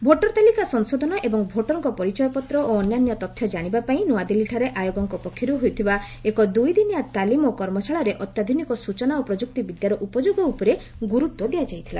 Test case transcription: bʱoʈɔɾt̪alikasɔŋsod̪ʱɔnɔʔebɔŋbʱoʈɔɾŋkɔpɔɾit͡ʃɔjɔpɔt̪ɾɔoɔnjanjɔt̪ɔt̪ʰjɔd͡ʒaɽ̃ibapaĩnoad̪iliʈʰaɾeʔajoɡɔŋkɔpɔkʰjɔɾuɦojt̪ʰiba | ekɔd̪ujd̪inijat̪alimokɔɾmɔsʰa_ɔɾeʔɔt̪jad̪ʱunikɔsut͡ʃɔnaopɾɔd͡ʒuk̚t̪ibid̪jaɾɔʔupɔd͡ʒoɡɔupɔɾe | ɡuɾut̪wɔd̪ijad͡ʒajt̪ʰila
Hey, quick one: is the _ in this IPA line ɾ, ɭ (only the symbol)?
ɭ